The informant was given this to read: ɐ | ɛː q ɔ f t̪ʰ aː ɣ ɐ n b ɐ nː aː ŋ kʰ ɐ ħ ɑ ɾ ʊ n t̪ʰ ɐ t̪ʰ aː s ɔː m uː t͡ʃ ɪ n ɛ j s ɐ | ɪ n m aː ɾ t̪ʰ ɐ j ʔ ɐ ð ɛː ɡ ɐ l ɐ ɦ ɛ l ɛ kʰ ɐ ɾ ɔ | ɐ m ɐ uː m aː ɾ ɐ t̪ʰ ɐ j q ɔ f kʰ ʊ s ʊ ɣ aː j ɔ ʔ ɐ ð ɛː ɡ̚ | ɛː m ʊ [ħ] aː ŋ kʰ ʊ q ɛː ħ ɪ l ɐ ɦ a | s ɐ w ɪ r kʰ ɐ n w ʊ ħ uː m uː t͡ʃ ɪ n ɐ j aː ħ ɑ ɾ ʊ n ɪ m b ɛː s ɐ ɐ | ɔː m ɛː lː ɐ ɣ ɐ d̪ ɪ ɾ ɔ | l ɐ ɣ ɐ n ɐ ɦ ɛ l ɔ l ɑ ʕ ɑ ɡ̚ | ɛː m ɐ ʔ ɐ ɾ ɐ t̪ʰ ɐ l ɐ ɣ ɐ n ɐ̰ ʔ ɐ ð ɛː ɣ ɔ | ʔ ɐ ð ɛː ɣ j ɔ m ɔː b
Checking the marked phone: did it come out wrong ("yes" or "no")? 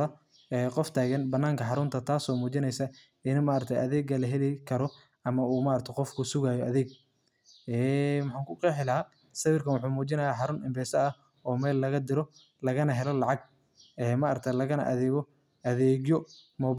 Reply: no